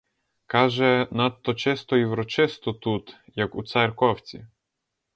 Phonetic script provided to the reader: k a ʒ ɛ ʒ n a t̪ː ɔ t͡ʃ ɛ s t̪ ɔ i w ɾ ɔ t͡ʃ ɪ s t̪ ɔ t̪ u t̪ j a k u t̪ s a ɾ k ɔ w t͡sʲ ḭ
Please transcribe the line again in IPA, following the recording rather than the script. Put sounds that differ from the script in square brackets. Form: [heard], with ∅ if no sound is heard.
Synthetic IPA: k a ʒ ɛ [∅] n a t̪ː ɔ t͡ʃ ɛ s t̪ ɔ i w ɾ ɔ t͡ʃ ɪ s t̪ ɔ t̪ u t̪ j a k u t̪ s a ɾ k ɔ w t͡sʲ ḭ